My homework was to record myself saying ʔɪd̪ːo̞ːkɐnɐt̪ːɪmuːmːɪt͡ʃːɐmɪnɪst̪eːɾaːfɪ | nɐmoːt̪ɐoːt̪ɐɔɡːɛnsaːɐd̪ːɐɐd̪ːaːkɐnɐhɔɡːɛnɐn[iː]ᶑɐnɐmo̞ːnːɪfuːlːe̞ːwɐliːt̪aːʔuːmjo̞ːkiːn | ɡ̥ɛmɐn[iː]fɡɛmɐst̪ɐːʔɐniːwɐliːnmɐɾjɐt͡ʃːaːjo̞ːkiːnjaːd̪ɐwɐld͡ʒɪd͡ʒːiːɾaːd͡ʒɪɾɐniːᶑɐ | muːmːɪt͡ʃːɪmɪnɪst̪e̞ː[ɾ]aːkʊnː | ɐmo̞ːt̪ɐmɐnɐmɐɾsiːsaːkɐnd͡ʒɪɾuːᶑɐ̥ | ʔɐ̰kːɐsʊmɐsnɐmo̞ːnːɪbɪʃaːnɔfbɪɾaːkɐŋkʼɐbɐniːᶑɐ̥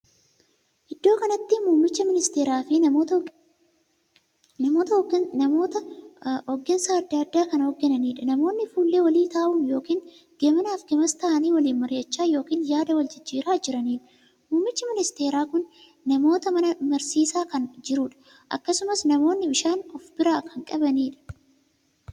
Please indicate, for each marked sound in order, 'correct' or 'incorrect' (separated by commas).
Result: correct, incorrect, correct